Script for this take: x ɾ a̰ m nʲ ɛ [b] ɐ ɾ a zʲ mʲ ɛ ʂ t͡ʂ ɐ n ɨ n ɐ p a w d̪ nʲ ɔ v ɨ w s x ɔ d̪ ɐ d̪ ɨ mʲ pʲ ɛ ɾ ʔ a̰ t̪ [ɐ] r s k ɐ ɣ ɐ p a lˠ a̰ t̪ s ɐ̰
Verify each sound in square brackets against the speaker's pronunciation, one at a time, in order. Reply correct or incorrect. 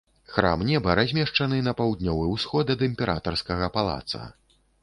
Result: correct, correct

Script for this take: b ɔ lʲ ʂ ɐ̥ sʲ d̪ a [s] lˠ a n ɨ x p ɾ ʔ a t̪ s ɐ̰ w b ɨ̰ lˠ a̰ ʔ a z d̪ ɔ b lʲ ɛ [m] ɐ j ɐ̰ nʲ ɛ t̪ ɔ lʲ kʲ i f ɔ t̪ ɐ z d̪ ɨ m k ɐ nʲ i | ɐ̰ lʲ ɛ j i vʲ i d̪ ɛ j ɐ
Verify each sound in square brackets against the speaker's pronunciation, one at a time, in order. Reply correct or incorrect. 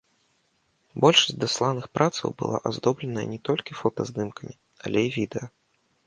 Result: correct, incorrect

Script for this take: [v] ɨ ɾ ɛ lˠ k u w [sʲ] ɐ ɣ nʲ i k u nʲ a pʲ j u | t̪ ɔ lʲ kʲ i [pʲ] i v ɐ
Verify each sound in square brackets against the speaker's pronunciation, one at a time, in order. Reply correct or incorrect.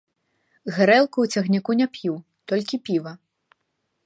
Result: incorrect, incorrect, correct

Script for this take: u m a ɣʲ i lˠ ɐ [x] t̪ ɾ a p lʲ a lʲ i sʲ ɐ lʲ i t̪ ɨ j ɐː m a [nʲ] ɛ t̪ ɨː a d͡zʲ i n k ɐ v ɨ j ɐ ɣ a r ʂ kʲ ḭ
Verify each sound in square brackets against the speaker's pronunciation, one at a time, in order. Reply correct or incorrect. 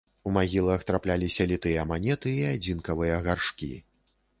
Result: correct, correct

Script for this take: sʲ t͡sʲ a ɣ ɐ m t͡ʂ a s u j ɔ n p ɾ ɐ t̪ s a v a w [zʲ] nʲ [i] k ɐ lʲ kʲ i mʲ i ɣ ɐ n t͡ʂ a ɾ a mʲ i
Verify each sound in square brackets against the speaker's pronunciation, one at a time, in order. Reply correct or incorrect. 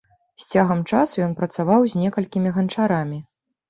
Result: correct, incorrect

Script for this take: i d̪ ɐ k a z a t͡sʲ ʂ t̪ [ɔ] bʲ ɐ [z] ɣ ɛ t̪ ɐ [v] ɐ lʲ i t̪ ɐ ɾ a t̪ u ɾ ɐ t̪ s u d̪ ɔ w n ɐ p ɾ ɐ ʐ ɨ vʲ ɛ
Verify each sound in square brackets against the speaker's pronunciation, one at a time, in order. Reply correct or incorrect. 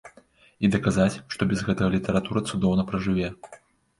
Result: correct, correct, incorrect

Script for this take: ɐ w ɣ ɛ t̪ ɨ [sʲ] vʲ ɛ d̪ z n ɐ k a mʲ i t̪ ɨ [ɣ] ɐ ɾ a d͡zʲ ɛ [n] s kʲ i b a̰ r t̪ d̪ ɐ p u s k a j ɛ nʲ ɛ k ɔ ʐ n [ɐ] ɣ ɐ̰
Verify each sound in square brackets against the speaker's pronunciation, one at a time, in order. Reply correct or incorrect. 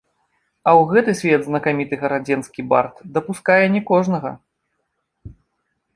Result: correct, correct, correct, correct

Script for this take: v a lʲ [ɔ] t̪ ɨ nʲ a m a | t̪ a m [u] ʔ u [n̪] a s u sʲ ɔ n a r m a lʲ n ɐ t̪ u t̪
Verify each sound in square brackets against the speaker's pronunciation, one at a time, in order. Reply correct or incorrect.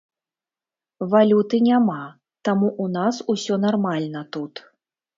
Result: incorrect, correct, correct

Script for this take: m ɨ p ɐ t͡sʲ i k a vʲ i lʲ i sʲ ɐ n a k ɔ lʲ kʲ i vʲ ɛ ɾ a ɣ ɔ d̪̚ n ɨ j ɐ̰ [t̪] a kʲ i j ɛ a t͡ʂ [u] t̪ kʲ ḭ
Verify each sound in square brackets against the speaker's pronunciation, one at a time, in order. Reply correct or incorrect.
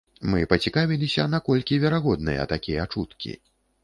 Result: correct, correct

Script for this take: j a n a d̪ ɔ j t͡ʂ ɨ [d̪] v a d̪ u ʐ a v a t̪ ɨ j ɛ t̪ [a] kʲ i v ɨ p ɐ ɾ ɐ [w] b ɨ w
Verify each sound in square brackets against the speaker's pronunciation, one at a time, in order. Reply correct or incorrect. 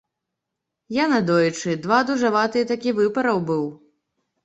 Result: correct, correct, correct

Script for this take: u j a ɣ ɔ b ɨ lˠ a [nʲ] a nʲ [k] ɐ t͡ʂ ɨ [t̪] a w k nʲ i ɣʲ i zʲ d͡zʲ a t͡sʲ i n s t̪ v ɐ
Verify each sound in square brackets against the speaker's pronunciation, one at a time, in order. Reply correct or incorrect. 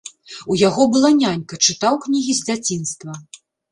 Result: correct, correct, correct

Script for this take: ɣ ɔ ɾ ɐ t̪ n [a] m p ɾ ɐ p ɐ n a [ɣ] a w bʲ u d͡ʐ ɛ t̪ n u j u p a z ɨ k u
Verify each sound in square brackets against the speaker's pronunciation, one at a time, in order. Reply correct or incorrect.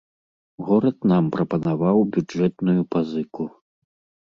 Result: correct, incorrect

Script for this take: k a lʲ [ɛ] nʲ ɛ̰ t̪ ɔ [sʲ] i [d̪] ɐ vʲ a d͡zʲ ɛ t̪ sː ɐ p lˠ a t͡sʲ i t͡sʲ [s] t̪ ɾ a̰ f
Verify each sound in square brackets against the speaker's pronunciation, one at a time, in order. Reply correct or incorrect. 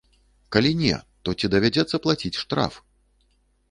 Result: incorrect, incorrect, correct, incorrect

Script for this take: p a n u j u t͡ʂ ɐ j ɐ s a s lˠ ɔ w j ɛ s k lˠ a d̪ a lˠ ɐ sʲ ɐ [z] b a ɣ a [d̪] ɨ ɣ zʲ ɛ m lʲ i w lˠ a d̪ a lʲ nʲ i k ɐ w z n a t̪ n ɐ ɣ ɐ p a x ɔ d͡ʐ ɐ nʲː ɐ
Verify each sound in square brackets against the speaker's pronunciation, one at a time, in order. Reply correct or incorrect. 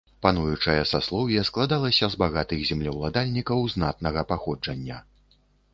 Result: correct, incorrect

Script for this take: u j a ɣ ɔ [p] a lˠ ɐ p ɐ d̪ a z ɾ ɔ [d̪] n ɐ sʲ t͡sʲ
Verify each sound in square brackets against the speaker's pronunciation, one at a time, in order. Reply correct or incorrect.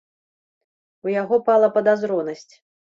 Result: correct, incorrect

